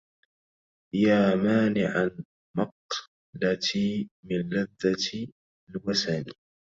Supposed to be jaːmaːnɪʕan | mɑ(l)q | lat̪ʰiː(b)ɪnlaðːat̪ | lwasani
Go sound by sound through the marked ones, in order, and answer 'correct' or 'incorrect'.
incorrect, incorrect

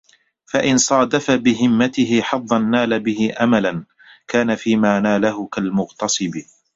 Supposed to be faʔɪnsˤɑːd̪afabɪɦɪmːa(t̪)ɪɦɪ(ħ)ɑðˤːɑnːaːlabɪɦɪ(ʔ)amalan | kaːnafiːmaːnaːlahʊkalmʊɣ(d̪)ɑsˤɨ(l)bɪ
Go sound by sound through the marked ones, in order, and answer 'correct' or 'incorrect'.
correct, correct, correct, incorrect, incorrect

